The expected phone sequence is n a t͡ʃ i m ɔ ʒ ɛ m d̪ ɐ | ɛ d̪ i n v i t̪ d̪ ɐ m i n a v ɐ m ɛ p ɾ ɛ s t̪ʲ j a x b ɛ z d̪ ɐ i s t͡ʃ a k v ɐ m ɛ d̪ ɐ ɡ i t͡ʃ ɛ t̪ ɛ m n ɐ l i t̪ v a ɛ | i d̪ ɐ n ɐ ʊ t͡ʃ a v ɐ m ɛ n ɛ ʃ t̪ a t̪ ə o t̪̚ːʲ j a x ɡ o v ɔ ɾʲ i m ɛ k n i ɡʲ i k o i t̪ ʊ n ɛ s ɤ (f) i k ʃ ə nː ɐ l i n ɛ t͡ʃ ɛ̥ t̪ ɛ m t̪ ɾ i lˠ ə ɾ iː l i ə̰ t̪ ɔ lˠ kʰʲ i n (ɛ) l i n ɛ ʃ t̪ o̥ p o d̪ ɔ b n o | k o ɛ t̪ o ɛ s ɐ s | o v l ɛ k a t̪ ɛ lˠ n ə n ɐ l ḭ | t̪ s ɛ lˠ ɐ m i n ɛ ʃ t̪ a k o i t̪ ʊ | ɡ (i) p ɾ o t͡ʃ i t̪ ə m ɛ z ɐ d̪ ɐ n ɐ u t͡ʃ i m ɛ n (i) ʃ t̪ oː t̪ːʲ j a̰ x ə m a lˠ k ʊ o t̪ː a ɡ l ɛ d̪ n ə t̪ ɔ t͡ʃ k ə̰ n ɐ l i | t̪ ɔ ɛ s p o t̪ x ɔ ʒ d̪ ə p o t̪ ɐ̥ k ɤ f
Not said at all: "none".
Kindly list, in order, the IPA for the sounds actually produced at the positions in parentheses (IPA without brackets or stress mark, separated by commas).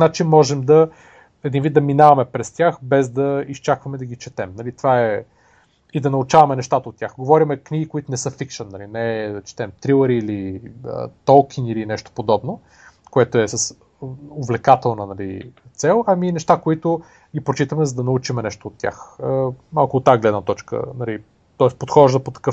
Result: f, i, i, ɛ